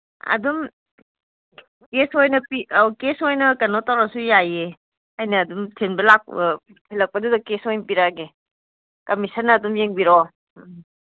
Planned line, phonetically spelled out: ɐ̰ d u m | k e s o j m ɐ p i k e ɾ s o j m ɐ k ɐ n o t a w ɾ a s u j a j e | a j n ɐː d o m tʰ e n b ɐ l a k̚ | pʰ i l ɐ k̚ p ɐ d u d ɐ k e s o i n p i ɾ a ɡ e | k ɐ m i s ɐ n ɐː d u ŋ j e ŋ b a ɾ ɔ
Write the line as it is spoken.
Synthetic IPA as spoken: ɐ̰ d u m | k e s o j n ɐ p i k e s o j n ɐ k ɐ n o t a w ɾ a s u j a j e | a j n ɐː d u m tʰ e n b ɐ l a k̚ | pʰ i l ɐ k̚ p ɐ d u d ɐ k e s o j n p i ɾ a ɡ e | k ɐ m i s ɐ n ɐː d u m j e ŋ b i ɾ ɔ